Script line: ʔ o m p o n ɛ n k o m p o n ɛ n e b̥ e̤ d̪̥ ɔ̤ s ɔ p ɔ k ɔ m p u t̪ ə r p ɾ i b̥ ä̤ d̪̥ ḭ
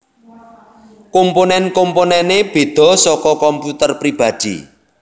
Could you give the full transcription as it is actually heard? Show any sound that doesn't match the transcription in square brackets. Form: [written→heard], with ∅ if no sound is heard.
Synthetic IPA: [ʔ→k] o m p o n ɛ n k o m p o n ɛ n e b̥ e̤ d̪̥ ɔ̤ s ɔ [p→k] ɔ k ɔ m p u t̪ ə r p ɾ i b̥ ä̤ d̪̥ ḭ